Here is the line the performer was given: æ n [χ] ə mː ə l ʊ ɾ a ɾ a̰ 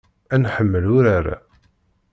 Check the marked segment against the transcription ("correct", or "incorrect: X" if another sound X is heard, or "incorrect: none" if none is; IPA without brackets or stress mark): incorrect: ħ